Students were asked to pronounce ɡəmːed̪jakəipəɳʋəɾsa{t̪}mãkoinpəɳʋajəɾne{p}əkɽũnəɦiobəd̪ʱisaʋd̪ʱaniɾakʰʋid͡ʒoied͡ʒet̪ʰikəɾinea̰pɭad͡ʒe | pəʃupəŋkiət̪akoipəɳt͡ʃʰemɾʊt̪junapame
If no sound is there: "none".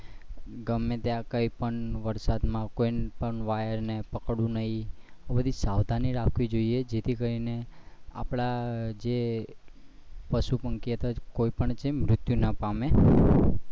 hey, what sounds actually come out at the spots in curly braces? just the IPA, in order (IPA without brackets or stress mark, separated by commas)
d̪, p